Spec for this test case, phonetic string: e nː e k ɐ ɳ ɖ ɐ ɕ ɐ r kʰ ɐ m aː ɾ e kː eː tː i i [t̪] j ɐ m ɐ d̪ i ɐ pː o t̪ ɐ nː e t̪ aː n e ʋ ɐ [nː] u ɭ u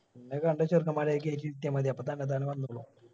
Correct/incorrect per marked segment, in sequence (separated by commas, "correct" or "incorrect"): correct, correct